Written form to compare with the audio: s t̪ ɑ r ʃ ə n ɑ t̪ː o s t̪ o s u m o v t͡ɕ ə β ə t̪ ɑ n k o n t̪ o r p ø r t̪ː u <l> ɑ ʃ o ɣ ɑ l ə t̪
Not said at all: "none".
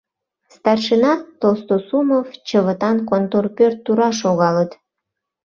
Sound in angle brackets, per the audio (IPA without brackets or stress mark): ɾ